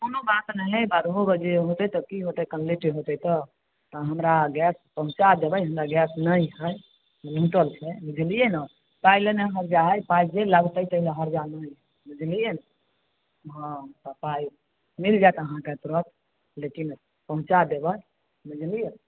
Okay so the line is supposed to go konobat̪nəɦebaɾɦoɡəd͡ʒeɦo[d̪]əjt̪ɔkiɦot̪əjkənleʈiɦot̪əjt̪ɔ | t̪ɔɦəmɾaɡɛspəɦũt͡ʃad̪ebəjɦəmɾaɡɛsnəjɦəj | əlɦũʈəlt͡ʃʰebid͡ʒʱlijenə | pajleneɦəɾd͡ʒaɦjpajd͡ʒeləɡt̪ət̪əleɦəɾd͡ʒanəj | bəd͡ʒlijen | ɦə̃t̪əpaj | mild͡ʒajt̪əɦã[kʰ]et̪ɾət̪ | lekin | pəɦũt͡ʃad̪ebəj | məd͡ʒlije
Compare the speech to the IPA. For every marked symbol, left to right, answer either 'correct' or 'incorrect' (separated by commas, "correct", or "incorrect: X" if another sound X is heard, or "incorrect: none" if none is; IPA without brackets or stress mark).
incorrect: t̪, incorrect: k